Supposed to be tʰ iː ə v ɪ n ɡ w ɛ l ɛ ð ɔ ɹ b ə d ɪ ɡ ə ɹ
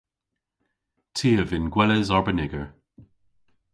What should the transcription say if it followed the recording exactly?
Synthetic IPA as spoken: tʰ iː ə v ɪ n ɡ w ɛ l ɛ z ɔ ɹ b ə n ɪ ɡ ə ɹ